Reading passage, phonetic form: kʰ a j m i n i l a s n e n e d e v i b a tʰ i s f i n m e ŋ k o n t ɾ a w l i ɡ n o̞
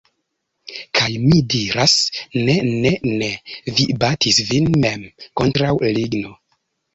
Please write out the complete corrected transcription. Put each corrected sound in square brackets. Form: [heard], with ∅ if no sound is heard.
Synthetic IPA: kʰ a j m i [d] i [ɾ] a s n e n e [n] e v i b a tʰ i s [v] i n m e [m] k o n t ɾ a w l i ɡ n o̞